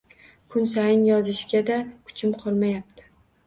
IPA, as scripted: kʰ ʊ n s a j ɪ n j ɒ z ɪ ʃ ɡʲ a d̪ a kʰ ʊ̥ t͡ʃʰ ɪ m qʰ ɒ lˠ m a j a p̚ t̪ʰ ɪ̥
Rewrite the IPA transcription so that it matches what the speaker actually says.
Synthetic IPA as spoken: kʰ ʊ n s a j ɪ n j ɒ z ɪ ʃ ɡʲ a d̪ a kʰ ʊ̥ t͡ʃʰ ɪ m qʰ ɒ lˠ m a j a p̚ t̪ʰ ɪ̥